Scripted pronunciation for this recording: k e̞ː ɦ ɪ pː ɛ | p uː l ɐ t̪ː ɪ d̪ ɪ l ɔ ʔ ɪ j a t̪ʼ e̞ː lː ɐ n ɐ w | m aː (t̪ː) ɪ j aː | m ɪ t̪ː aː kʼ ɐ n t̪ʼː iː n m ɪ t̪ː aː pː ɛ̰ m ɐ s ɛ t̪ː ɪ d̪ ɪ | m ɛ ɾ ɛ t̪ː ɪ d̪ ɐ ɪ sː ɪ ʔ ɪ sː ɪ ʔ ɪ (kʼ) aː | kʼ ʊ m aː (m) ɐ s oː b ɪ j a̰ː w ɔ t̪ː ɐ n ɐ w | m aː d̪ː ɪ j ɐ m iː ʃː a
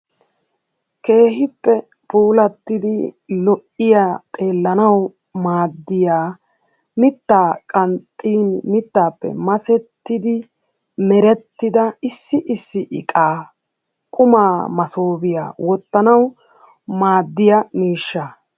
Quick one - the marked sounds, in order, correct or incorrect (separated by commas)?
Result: incorrect, correct, correct